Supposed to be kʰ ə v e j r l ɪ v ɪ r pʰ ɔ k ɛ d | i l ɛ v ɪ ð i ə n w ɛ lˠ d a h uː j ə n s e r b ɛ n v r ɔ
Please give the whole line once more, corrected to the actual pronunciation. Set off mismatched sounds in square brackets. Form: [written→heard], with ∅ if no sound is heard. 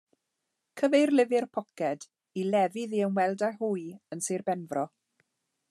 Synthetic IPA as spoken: kʰ ə v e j r l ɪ v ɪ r pʰ ɔ k ɛ d | i l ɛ v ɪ ð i ə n w ɛ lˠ d a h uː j ə n s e r b ɛ n v r ɔ